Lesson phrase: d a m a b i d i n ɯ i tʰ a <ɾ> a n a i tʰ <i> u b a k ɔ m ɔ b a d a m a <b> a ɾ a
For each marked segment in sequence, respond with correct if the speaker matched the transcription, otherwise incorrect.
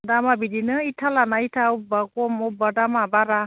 incorrect: l, incorrect: a, correct

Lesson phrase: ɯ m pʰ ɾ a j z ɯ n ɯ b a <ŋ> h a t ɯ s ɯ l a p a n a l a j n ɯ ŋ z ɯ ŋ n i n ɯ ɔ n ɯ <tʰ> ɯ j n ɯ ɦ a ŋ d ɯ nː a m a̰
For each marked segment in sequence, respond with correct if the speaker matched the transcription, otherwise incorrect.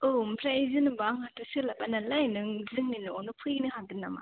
correct, incorrect: pʰ

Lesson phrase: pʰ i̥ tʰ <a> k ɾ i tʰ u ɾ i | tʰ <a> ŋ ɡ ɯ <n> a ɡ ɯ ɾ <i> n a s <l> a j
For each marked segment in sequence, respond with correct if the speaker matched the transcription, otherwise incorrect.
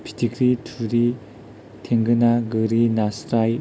incorrect: i, incorrect: e, correct, correct, incorrect: ɾ

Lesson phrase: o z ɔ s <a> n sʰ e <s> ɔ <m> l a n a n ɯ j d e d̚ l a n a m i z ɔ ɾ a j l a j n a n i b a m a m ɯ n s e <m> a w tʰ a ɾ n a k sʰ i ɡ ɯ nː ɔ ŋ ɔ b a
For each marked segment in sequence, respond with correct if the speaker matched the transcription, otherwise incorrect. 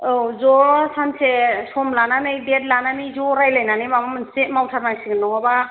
correct, correct, correct, correct

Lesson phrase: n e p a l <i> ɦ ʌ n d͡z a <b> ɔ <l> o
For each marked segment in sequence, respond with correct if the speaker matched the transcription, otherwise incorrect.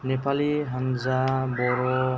correct, correct, incorrect: ɾ

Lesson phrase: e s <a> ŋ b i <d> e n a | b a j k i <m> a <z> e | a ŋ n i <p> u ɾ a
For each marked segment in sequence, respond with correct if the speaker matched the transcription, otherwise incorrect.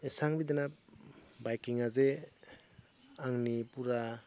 correct, correct, incorrect: ŋ, correct, correct

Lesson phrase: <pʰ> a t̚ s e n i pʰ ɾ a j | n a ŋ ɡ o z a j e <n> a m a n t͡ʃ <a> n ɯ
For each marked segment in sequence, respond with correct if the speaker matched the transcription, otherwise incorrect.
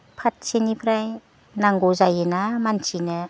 correct, correct, incorrect: i

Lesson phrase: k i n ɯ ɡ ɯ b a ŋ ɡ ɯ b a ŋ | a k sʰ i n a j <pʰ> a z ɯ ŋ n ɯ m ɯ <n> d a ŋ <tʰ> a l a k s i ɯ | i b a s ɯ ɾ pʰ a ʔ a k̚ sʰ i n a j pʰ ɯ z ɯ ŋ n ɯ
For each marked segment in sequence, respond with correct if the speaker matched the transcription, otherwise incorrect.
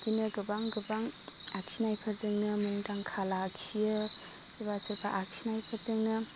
correct, incorrect: ŋ, incorrect: kʰ

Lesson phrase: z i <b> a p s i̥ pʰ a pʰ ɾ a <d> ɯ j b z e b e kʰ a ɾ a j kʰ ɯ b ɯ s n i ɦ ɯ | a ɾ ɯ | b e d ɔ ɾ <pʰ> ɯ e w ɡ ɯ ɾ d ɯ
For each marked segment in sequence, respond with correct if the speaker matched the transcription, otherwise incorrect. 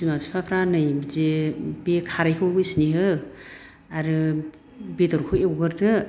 incorrect: m, incorrect: n, incorrect: kʰ

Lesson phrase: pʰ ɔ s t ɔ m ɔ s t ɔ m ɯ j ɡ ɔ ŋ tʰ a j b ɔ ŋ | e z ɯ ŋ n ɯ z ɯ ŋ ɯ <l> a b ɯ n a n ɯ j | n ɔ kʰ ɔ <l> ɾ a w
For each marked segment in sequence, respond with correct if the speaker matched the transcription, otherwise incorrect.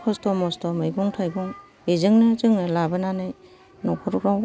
correct, incorrect: ɾ

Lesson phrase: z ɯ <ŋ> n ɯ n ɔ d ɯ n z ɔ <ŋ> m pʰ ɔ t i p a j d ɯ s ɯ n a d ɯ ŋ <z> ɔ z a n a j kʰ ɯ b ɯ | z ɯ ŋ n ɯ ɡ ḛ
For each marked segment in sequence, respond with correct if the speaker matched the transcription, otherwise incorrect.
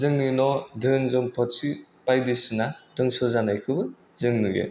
correct, incorrect: none, incorrect: s

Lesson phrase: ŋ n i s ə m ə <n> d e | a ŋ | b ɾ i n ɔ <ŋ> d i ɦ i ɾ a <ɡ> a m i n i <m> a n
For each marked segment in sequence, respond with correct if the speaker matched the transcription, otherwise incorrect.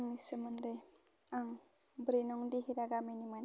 correct, correct, correct, correct

